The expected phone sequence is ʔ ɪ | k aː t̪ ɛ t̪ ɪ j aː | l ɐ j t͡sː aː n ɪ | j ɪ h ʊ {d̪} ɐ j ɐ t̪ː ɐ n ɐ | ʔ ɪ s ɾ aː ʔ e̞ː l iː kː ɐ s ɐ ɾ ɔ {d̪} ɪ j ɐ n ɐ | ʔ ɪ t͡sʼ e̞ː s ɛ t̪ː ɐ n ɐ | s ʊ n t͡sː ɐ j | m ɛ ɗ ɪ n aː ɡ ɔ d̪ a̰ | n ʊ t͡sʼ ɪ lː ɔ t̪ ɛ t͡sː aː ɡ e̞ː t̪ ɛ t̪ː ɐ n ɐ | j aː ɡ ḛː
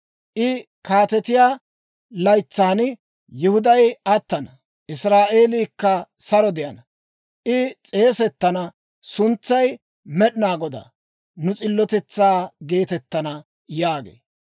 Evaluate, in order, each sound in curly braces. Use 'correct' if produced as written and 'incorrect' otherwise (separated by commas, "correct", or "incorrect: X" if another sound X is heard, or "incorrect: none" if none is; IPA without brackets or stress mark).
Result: correct, correct